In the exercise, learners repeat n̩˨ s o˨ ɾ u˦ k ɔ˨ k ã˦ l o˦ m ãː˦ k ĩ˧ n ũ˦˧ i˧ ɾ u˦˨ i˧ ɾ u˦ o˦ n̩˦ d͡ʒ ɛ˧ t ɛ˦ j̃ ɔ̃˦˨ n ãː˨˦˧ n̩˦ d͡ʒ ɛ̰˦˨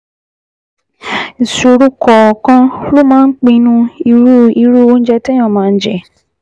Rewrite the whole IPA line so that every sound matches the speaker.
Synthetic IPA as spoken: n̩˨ s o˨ ɾ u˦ k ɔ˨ k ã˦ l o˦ m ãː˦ k͡p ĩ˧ n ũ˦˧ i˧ ɾ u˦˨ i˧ ɾ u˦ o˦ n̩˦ d͡ʒ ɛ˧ t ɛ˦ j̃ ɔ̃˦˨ m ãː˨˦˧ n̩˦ d͡ʒ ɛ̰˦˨